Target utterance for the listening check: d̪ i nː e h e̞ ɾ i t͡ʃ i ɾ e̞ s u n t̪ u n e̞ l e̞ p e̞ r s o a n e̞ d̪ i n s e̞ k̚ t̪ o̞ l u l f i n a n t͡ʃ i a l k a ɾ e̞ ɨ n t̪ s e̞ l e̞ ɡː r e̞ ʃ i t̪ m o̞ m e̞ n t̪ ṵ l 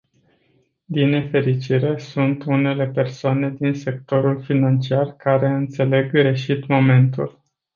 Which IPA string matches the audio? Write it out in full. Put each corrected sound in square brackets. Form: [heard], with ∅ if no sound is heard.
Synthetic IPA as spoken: d̪ i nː e [f] e̞ ɾ i t͡ʃ i ɾ e̞ s u n t̪ u n e̞ l e̞ p e̞ r s o a n e̞ d̪ i n s e̞ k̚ t̪ o̞ [ɾ] u l f i n a n t͡ʃ i a [r] k a ɾ e̞ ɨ n t̪ s e̞ l e̞ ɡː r e̞ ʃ i t̪ m o̞ m e̞ n t̪ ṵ l